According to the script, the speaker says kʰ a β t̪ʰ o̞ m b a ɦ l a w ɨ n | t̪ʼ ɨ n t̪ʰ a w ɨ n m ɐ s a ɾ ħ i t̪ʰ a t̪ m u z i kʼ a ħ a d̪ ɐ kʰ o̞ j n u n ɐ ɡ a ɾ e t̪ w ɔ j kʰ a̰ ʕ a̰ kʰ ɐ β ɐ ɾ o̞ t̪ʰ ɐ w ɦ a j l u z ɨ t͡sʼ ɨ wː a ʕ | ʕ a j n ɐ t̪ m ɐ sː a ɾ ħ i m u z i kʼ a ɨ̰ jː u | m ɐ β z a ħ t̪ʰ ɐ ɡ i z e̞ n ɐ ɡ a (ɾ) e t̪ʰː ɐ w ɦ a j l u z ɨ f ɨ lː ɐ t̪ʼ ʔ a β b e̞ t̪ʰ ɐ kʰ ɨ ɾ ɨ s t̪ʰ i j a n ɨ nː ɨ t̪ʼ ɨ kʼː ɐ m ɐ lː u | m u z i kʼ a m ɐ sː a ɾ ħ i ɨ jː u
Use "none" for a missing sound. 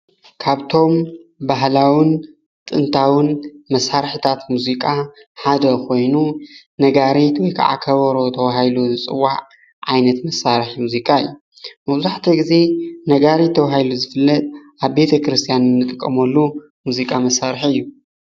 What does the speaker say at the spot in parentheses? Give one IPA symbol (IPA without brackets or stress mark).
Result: ɾ